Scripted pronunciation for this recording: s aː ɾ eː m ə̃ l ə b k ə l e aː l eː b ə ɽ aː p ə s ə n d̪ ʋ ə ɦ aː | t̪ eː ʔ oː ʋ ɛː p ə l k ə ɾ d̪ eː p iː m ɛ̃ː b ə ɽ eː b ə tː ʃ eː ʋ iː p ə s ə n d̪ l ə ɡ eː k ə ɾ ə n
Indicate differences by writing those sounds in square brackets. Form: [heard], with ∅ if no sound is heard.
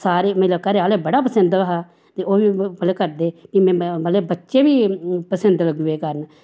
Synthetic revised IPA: s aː ɾ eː m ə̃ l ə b k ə [ɾ] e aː l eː b ə ɽ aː p ə s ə n d̪ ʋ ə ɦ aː | t̪ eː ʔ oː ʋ [iː] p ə l k ə ɾ d̪ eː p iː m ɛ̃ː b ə [l] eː b ə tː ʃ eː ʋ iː p ə s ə n d̪ l ə ɡ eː k ə ɾ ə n